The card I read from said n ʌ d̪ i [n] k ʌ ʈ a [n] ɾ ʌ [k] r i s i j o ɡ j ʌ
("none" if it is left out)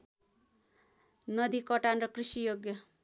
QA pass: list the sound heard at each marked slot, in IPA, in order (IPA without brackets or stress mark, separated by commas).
none, n, k